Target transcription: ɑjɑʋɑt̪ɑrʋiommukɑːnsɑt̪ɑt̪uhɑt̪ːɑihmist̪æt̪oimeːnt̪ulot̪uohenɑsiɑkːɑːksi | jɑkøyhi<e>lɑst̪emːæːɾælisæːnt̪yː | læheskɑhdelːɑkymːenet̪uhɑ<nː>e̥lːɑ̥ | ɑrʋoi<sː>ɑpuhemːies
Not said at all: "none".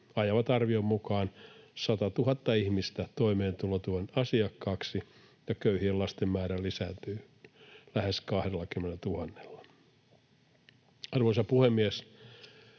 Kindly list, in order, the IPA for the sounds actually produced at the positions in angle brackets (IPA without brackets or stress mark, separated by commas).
e, nː, s